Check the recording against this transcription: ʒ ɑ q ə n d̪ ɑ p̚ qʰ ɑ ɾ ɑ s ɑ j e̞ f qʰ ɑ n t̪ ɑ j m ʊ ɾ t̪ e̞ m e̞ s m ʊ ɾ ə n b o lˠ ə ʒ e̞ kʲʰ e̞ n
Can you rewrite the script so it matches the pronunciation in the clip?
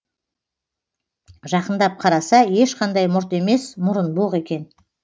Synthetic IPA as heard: ʒ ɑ q ə n d̪ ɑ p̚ qʰ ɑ ɾ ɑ s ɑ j e̞ ʃ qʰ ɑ n d̪ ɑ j m ʊ ɾ t̪ e̞ m e̞ s m ʊ ɾ ə n b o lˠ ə ʁ e̞ kʲ e̞ n